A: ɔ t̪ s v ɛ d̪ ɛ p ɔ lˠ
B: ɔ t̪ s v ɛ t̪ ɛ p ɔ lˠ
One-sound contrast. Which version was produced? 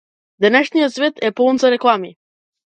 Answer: B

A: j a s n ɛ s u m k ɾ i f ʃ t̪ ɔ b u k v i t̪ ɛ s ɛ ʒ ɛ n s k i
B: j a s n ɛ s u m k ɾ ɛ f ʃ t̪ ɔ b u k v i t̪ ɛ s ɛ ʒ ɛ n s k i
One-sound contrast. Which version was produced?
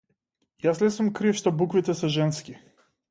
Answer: A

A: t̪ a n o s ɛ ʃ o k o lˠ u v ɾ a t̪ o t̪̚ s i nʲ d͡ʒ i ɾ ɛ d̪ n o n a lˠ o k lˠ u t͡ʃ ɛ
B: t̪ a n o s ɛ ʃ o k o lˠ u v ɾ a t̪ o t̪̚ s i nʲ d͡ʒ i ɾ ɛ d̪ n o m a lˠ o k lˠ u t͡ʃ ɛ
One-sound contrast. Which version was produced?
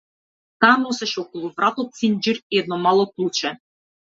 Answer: B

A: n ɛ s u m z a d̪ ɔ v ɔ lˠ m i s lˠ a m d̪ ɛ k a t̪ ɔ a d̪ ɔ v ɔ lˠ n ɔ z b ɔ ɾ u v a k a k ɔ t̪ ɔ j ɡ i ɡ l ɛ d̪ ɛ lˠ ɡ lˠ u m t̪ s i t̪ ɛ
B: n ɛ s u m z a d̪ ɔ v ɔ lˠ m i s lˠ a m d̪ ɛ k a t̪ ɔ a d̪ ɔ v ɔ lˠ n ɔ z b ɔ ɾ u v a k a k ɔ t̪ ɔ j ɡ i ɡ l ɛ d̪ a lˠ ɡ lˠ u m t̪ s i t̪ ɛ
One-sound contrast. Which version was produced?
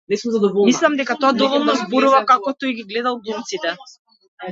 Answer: B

